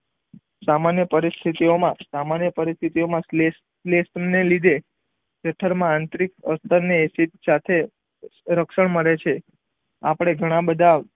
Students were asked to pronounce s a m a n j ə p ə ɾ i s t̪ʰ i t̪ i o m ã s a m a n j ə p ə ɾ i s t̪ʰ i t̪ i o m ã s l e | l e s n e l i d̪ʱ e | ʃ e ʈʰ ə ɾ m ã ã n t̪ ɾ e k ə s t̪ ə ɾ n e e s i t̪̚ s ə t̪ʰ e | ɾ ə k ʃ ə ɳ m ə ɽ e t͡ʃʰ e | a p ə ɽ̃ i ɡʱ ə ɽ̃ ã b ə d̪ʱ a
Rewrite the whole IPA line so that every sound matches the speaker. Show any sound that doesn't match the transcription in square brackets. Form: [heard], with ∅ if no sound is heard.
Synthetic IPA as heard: s a m a n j ə p ə ɾ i s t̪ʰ i t̪ i o m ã s a m a n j ə p ə ɾ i s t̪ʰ i t̪ i o m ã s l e | l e s n e l i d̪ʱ e | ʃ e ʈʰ ə ɾ m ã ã n t̪ ɾ [i] k ə s t̪ ə ɾ n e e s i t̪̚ s [a] t̪ʰ e | ɾ ə k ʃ ə ɳ m ə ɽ e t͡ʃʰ e | a p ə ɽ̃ [e] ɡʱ ə ɽ̃ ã b ə d̪ʱ a